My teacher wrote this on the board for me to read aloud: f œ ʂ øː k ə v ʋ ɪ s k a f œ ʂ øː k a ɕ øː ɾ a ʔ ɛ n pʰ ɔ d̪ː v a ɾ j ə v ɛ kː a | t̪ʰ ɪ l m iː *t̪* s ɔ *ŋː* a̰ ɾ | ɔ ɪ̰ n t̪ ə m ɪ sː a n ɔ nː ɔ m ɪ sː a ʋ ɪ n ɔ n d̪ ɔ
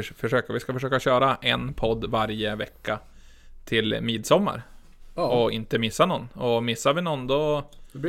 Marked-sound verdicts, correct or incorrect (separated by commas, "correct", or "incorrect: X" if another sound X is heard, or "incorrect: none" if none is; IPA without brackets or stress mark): incorrect: d̪, incorrect: mː